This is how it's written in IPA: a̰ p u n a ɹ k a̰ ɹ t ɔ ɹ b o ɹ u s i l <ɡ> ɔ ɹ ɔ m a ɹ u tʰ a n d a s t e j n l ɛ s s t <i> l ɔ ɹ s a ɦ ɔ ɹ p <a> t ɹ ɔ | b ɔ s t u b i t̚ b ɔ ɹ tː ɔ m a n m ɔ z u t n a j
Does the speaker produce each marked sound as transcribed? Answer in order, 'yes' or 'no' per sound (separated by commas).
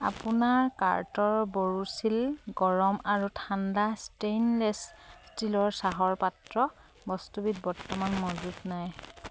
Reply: yes, yes, yes